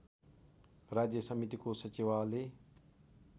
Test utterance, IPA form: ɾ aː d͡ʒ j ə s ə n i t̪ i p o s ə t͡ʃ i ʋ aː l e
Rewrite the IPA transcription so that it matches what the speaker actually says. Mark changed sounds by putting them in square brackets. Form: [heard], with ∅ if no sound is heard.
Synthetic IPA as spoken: ɾ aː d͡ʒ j ə s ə [m] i t̪ i [k] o s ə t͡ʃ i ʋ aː l e

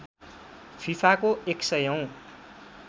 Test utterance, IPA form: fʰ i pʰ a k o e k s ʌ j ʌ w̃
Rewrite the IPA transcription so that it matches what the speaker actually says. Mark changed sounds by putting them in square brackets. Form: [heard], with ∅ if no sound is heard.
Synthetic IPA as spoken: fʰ i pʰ a k o e k s ʌ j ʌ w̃

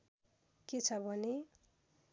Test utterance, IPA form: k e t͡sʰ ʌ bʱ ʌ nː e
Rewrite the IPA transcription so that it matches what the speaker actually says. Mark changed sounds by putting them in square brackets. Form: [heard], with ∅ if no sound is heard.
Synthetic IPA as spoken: k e t͡sʰ ʌ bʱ ʌ [n] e

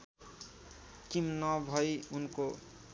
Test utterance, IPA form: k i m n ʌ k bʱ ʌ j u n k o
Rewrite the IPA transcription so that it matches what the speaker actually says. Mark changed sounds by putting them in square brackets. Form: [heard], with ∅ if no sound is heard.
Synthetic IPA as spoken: k i m n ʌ [∅] bʱ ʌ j u n k o

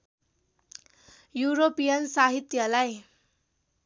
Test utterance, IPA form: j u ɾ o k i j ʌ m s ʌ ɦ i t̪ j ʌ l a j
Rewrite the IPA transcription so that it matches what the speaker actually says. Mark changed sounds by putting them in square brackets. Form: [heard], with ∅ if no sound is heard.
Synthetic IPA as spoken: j u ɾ o [p] i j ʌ [n] s [a] ɦ i t̪ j ʌ l a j

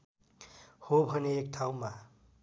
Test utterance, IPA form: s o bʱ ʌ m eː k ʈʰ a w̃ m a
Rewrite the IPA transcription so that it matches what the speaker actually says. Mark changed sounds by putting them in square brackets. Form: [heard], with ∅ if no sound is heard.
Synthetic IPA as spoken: [h] o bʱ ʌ [n] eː k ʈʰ a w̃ m a

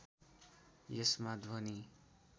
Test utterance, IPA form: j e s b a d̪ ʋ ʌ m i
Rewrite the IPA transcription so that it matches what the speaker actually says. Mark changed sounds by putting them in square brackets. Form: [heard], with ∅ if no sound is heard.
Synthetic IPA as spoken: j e s [m] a d̪ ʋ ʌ [n] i

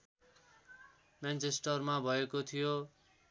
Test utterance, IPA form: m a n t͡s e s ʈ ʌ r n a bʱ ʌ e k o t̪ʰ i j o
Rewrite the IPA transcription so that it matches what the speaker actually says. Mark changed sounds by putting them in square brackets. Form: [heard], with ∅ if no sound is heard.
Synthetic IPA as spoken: m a n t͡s e s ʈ ʌ r [m] a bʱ ʌ e k o t̪ʰ i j o

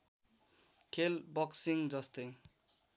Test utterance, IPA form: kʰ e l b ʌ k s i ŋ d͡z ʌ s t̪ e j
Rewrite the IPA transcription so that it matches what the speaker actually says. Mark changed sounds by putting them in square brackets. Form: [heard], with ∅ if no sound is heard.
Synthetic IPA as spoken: kʰ e l b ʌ k s i ŋ d͡z ʌ s t̪ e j

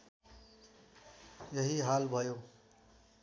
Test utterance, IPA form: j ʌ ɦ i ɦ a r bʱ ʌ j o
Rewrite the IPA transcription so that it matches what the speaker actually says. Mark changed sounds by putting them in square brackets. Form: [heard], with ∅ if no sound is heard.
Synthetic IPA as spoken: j ʌ ɦ i ɦ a [l] bʱ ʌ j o

